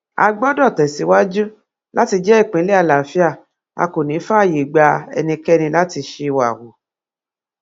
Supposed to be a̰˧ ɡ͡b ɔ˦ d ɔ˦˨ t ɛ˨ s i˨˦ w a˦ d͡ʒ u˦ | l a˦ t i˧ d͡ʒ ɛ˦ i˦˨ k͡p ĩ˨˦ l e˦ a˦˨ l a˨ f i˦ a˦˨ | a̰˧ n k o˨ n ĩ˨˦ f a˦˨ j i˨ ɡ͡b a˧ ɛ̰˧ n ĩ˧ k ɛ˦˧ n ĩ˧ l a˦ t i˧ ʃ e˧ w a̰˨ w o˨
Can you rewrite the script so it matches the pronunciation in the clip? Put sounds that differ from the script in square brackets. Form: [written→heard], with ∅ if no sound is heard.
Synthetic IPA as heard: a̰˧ ɡ͡b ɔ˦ d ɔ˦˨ t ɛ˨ s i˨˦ w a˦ d͡ʒ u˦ | l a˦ t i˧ d͡ʒ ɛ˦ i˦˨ k͡p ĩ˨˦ l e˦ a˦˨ l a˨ f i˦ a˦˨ | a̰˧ [n→∅] k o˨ n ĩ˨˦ f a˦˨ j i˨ ɡ͡b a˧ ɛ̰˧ n ĩ˧ k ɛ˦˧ n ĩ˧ l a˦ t i˧ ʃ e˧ w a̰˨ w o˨